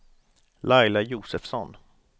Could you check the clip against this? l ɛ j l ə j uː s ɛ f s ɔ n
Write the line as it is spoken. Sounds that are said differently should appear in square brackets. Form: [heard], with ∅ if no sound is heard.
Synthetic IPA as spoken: l [a] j l [a] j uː s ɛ f s ɔ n

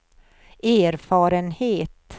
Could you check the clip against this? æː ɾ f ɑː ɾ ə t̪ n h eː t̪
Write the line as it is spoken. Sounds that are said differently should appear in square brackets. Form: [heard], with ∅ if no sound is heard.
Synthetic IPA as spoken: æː ɾ f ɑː ɾ ə [∅] n h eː t̪

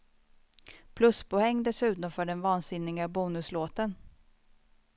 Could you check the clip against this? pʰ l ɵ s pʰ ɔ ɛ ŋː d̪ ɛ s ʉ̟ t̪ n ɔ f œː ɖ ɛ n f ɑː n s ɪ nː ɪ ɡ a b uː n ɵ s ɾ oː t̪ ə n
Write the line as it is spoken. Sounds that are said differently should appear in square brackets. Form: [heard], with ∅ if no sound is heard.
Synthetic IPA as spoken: pʰ l ɵ s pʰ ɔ ɛ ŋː d̪ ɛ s ʉ̟ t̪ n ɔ f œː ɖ ɛ n [v] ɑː n s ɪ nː ɪ ɡ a b uː n ɵ s [l] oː t̪ ə n

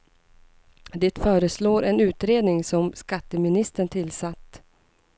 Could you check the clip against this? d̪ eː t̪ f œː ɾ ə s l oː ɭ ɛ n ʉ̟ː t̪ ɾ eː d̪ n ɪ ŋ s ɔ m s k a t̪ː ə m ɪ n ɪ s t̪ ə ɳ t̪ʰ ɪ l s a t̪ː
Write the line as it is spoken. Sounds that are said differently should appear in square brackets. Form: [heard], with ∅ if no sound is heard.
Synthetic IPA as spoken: d̪ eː t̪ f œː ɾ ə s l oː [ɾ] ɛ n ʉ̟ː t̪ ɾ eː d̪ n ɪ ŋ s ɔ m s k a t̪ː ə m ɪ n ɪ s t̪ ə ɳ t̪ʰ ɪ l s a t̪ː

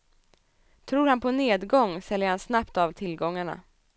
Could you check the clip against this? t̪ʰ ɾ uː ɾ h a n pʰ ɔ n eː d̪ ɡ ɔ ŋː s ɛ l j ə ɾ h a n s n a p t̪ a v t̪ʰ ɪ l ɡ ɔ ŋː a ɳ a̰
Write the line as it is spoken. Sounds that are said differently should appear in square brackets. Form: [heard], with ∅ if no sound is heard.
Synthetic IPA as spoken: t̪ʰ ɾ uː ɾ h a n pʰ ɔ n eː d̪ ɡ ɔ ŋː s ɛ l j ə ɾ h a n s n a p t̪ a v t̪ʰ ɪ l ɡ ɔ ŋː a ɳ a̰

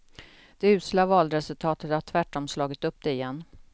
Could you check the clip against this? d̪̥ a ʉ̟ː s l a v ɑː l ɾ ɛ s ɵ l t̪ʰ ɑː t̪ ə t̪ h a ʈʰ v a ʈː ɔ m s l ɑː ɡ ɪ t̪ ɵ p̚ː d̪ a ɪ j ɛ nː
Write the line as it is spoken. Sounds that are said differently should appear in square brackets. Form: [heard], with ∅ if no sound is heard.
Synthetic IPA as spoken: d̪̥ [ɛ] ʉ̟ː s l a v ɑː l ɾ ɛ s ɵ l t̪ʰ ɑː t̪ ə t̪ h a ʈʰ v [æ] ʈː ɔ m s l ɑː ɡ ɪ t̪ ɵ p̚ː d̪ [ɛ] ɪ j ɛ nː

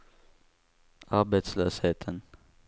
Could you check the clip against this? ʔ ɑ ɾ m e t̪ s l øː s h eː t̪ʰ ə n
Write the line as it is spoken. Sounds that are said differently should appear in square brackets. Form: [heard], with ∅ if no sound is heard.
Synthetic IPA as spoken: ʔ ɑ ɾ [b] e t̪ s l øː s h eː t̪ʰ ə n

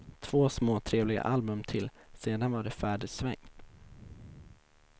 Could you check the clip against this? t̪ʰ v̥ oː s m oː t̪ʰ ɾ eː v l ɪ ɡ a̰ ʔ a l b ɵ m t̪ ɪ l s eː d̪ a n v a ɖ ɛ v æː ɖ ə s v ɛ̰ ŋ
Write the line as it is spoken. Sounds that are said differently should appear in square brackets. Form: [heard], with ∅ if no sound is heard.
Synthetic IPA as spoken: t̪ʰ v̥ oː s m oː t̪ʰ ɾ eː v l ɪ ɡ a̰ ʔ a l b ɵ m [t̪ʰ] ɪ l s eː d̪ a n v a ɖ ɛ [f] æː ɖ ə s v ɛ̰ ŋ

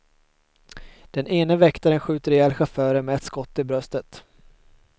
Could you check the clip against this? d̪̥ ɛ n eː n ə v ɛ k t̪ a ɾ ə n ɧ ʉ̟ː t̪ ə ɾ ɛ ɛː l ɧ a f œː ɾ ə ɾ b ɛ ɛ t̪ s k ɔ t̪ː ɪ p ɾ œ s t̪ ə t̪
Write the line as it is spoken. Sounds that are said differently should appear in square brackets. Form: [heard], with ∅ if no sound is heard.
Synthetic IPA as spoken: d̪̥ ɛ n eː n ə v ɛ k t̪ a ɾ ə n ɧ ʉ̟ː t̪ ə ɾ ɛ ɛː l ɧ a f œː ɾ ə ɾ [m] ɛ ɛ t̪ s k ɔ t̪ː ɪ [b] ɾ œ s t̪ ə t̪

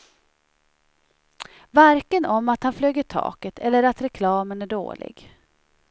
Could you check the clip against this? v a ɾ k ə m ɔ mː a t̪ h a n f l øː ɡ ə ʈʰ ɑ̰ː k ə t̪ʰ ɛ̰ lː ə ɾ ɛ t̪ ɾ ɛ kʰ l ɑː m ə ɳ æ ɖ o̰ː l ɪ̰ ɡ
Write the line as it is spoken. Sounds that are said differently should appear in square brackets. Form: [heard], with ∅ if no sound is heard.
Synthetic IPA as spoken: v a ɾ k ə [n] ɔ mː a t̪ h a n f l øː ɡ ə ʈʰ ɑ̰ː k ə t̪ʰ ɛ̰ lː ə ɾ [a] t̪ ɾ ɛ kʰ l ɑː m ə [n] æ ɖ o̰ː l ɪ̰ ɡ

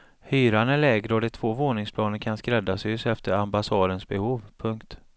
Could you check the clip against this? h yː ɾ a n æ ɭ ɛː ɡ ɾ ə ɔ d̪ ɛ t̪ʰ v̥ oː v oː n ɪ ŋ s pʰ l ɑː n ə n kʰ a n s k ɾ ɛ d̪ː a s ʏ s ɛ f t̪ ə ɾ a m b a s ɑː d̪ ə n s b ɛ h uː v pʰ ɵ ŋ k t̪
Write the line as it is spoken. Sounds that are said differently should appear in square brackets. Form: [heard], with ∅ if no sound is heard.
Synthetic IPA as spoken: h yː ɾ a n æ ɭ ɛː ɡ ɾ ə ɔ d̪ ɛ t̪ʰ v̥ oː v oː n ɪ ŋ s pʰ l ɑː n ə n kʰ a n s k ɾ ɛ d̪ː a s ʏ s ɛ f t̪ ə ɾ a m b a s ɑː d̪ ə n s b ɛ h uː v pʰ ɵ ŋ k t̪

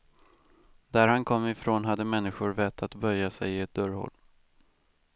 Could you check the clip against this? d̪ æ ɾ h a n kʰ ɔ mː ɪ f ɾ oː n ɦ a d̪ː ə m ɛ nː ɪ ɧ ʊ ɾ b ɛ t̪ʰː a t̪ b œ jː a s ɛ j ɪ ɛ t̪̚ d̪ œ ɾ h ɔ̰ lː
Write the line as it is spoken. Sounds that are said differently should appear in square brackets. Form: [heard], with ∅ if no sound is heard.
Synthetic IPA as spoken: d̪ æ ɾ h a n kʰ ɔ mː ɪ f ɾ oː n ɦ a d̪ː ə m ɛ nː ɪ ɧ ʊ ɾ [v] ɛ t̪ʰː a t̪ b œ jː a s ɛ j ɪ ɛ t̪̚ d̪ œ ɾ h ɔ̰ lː

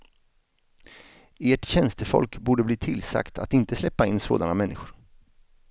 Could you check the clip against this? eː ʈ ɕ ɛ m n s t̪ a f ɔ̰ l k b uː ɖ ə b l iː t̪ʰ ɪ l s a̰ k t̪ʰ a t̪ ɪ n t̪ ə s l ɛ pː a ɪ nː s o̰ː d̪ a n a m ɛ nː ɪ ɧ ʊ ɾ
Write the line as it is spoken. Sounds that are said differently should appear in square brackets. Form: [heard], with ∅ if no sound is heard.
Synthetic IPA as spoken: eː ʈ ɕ ɛ [∅] n s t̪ [ə] f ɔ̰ l k b uː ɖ ə b l iː t̪ʰ ɪ l s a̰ k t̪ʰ a t̪ ɪ n t̪ ə s l ɛ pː a ɪ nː s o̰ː d̪ a n a m ɛ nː ɪ ɧ ʊ ɾ

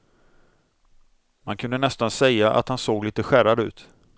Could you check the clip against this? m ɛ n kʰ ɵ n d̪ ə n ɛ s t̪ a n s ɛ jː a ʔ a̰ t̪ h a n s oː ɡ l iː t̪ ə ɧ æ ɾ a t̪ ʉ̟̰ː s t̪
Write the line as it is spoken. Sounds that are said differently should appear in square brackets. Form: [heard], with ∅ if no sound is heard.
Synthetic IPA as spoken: m [a] n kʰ ɵ n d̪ ə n ɛ s t̪ a n s ɛ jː a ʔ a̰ t̪ h a n s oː ɡ l iː t̪ ə ɧ æ ɾ a [d̪] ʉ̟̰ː [∅] t̪

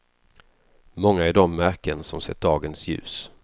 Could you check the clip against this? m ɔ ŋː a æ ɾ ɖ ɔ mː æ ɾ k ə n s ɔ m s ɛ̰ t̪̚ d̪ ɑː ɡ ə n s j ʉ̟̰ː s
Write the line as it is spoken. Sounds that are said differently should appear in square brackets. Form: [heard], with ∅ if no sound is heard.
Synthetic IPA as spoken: m ɔ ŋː a æ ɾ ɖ ɔ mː æ ɾ k ə n s ɔ m s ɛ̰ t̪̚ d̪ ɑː ɡ ə n s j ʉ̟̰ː s

